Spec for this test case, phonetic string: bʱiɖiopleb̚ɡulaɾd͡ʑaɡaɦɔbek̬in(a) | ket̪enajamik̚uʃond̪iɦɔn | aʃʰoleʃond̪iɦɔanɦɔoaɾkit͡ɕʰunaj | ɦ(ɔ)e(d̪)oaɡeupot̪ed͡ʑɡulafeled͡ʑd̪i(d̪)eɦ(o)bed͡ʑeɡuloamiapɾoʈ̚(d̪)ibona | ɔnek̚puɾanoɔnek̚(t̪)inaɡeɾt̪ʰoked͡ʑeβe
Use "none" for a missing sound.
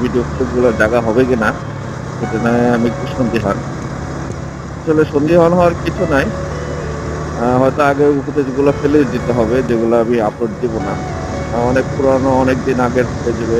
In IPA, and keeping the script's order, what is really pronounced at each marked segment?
a, ɔ, t̪, t̪, ɔ, d̪, d̪

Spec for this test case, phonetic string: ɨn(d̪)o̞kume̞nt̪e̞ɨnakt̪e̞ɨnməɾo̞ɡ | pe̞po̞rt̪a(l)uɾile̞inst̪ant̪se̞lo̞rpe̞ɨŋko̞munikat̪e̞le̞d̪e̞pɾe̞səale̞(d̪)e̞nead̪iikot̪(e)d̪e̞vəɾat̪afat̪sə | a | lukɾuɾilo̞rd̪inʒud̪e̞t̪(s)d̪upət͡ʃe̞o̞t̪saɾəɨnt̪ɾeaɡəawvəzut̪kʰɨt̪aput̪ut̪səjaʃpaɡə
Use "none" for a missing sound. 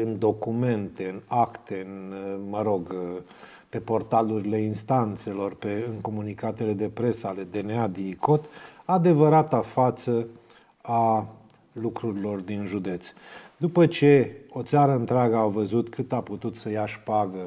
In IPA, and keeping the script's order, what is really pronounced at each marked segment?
d̪, l, d̪, a, s

